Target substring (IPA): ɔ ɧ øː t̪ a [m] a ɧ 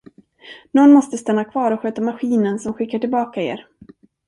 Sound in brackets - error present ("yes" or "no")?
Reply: no